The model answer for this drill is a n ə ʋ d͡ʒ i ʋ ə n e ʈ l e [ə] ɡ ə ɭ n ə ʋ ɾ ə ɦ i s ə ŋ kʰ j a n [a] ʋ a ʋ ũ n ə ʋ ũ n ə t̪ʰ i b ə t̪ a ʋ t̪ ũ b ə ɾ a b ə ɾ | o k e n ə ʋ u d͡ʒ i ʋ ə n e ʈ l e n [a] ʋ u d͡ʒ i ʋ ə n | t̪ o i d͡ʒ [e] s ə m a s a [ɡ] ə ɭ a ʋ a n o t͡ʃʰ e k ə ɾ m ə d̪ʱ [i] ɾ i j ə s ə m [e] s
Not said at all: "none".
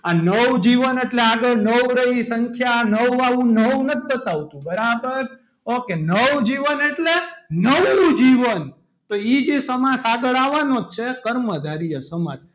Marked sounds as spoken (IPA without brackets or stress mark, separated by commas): a, ə, ə, e, ɡ, a, a